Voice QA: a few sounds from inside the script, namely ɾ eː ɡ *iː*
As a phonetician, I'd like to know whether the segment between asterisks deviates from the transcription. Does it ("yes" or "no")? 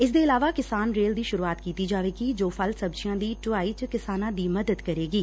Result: no